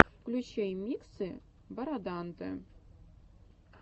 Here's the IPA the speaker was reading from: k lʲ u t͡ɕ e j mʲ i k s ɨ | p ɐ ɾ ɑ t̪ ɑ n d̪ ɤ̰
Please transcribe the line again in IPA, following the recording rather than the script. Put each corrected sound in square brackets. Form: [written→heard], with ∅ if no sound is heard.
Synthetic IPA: k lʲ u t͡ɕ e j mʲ i k s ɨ | [p→b] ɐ ɾ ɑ [t̪→d̪] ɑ n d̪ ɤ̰